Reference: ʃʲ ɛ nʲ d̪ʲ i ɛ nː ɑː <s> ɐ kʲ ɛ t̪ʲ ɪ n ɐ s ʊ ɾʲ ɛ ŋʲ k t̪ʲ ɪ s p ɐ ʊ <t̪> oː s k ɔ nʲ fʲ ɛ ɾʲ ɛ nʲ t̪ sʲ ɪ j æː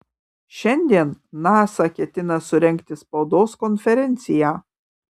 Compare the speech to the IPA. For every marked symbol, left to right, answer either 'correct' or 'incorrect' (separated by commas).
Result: correct, incorrect